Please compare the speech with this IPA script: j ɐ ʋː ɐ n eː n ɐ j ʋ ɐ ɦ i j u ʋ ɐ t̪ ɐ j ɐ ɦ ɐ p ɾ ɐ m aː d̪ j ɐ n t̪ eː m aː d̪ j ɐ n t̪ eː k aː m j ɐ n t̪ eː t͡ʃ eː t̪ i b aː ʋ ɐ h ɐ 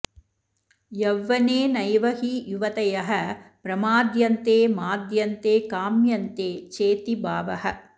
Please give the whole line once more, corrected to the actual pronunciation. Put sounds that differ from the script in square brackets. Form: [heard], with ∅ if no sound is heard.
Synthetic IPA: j ɐ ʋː ɐ n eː n ɐ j ʋ ɐ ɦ i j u ʋ ɐ t̪ ɐ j ɐ ɦ ɐ p ɾ ɐ m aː d̪ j ɐ n t̪ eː m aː d̪ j ɐ n t̪ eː k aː m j ɐ n t̪ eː t͡ʃ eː t̪ i b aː ʋ ɐ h ɐ

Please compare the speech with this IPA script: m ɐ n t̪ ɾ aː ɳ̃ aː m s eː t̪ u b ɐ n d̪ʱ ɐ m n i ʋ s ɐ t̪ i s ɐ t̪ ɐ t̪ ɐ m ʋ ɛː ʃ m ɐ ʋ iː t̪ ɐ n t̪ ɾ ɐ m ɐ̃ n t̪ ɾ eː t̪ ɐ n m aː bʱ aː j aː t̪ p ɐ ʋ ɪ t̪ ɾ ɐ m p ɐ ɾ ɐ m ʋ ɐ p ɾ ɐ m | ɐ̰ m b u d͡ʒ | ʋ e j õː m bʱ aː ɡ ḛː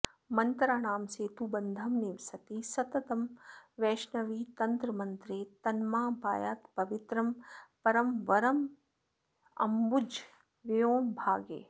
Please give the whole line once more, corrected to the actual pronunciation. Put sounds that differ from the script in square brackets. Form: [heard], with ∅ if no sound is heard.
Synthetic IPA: m ɐ n t̪ ɾ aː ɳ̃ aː m s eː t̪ u b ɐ n d̪ʱ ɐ m n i ʋ s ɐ t̪ i s ɐ t̪ ɐ t̪ ɐ m ʋ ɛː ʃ [n] ɐ ʋ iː t̪ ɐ n t̪ ɾ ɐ m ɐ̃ n t̪ ɾ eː t̪ ɐ n m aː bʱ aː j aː t̪ p ɐ ʋ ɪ t̪ ɾ ɐ m p ɐ ɾ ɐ m ʋ ɐ [∅] ɾ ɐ m | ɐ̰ m b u d͡ʒ | ʋ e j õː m bʱ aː ɡ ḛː

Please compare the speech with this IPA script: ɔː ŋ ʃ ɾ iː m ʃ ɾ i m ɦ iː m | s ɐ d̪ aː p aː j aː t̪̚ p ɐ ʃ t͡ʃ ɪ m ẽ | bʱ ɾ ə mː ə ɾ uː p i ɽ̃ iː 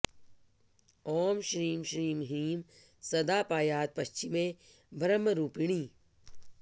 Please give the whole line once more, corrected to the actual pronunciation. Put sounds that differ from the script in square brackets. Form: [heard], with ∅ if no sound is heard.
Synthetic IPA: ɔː [m] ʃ ɾ iː m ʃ ɾ [iː] m ɦ iː m | s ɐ d̪ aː p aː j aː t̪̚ p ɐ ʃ t͡ʃ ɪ m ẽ | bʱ ɾ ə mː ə ɾ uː p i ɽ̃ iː

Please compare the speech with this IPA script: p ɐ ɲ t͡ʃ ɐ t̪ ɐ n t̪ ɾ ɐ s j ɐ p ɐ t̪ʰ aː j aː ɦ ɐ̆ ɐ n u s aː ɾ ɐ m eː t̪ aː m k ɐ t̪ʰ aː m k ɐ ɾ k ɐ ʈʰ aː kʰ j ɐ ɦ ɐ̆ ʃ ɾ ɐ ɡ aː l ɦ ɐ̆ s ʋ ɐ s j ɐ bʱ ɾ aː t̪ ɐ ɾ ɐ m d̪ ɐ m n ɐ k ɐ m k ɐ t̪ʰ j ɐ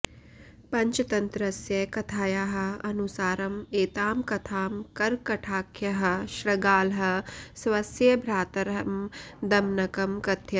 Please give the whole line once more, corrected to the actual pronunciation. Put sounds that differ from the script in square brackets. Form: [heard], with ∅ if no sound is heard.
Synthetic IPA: p ɐ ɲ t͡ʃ ɐ t̪ ɐ n t̪ ɾ ɐ s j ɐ [k] ɐ t̪ʰ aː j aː ɦ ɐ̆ ɐ n u s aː ɾ ɐ m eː t̪ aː m k ɐ t̪ʰ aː m k ɐ ɾ k ɐ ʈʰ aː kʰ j ɐ ɦ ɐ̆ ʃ ɾ ɐ ɡ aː l ɦ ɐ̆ s ʋ ɐ s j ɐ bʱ ɾ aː t̪ ɐ ɾ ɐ m d̪ ɐ m n ɐ k ɐ m k ɐ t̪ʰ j ɐ

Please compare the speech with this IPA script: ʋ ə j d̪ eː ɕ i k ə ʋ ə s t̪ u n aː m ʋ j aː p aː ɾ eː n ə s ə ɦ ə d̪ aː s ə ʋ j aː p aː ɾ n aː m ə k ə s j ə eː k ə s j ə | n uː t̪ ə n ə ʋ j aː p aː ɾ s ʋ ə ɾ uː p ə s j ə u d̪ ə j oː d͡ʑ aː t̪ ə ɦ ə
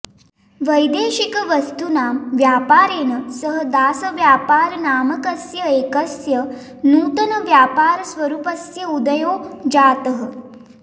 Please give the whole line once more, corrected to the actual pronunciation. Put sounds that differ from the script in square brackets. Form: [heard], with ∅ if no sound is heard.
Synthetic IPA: ʋ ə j d̪ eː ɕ i k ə ʋ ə s t̪ u n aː m ʋ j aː p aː ɾ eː n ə s ə ɦ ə d̪ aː s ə ʋ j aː p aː ɾ n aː m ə k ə s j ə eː k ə s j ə | n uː t̪ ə n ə ʋ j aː p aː ɾ s ʋ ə ɾ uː p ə s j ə u d̪ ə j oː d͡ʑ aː t̪ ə ɦ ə

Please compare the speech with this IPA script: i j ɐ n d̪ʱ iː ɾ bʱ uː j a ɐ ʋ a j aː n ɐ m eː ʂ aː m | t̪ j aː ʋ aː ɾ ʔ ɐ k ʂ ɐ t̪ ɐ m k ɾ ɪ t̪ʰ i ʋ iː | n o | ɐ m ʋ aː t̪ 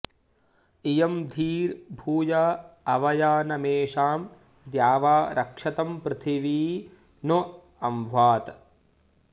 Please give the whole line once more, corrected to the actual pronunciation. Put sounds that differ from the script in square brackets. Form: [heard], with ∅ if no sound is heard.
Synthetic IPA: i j ɐ [m] d̪ʱ iː ɾ bʱ uː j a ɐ ʋ [ɐ] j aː n ɐ m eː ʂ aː m | [d̪] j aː ʋ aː ɾ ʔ ɐ k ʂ ɐ t̪ ɐ m [p] ɾ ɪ t̪ʰ i ʋ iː | n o | ɐ m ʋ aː t̪

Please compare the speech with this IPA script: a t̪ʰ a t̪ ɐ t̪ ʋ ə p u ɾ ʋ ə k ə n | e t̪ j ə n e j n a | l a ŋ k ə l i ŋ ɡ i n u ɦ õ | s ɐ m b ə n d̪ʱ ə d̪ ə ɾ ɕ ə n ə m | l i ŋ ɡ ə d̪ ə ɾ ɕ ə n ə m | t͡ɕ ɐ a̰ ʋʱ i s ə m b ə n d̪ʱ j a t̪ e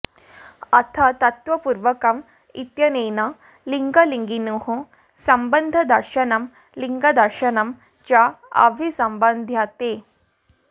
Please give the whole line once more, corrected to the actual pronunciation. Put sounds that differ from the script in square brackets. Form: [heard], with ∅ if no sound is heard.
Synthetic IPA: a t̪ʰ a t̪ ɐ t̪ ʋ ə p u ɾ ʋ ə k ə [m] | [i] t̪ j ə n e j n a | l [i] ŋ [ɡ] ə l i ŋ ɡ i n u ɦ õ | s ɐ m b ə n d̪ʱ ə d̪ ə ɾ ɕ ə n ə m | l i ŋ ɡ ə d̪ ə ɾ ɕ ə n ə m | t͡ɕ [a] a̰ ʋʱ i s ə m b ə n d̪ʱ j a t̪ e

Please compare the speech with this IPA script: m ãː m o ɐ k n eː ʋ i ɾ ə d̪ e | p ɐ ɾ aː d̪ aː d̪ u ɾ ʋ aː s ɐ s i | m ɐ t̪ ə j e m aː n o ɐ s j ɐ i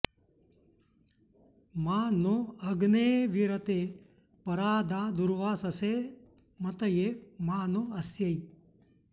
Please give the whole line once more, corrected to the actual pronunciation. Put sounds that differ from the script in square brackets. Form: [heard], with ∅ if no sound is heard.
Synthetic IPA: m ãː [n] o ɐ [ɡ] n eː ʋ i ɾ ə [t̪] e | p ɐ ɾ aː d̪ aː d̪ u ɾ ʋ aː s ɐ s [e] | m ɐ t̪ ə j e m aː n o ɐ s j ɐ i

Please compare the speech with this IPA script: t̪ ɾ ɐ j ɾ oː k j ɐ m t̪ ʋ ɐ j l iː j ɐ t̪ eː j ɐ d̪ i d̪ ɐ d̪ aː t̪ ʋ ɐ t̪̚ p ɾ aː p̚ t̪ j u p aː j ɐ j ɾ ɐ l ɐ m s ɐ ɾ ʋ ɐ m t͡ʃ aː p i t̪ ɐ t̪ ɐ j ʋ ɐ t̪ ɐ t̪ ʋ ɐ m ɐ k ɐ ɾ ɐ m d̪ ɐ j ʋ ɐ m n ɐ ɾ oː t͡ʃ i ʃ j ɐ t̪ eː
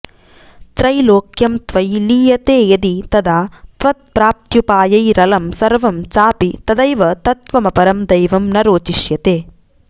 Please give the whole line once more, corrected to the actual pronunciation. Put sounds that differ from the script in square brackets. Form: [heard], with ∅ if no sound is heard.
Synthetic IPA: t̪ ɾ ɐ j [l] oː k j ɐ m t̪ ʋ ɐ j l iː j ɐ t̪ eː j ɐ d̪ i [t̪] ɐ d̪ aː t̪ ʋ ɐ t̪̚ p ɾ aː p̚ t̪ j u p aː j ɐ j ɾ ɐ l ɐ m s ɐ ɾ ʋ ɐ m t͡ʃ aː p i t̪ ɐ [d̪] ɐ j ʋ ɐ t̪ ɐ t̪ ʋ ɐ m ɐ [p] ɐ ɾ ɐ m d̪ ɐ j ʋ ɐ m n ɐ ɾ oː t͡ʃ i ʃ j ɐ t̪ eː

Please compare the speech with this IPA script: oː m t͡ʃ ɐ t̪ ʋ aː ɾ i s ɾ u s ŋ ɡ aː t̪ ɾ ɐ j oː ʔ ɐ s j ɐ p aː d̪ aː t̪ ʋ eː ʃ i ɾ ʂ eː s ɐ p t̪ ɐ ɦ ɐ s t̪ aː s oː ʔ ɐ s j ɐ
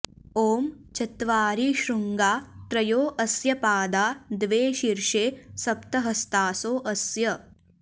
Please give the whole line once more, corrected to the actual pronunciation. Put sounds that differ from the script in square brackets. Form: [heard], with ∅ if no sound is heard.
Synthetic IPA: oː m t͡ʃ ɐ t̪ ʋ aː ɾ i [ʃ] ɾ u [∅] ŋ ɡ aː t̪ ɾ ɐ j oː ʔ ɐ s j ɐ p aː d̪ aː [d̪] ʋ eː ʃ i ɾ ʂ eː s ɐ p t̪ ɐ ɦ ɐ s t̪ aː s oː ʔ ɐ s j ɐ

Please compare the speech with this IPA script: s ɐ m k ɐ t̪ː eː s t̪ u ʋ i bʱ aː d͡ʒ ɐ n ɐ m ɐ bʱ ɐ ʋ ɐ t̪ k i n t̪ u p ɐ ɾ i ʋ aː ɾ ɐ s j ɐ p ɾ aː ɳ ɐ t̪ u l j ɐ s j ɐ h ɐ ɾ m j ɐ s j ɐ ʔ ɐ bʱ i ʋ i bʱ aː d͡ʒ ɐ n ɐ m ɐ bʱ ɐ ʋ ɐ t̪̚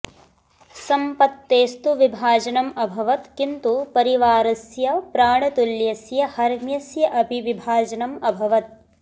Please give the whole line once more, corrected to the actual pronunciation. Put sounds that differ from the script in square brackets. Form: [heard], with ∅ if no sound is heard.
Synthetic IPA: s ɐ m [p] ɐ t̪ː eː s t̪ u ʋ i bʱ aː d͡ʒ ɐ n ɐ m ɐ bʱ ɐ ʋ ɐ t̪ k i n t̪ u p ɐ ɾ i ʋ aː ɾ ɐ s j ɐ p ɾ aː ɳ ɐ t̪ u l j ɐ s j ɐ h ɐ ɾ m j ɐ s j ɐ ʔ ɐ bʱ i ʋ i bʱ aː d͡ʒ ɐ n ɐ m ɐ bʱ ɐ ʋ ɐ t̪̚

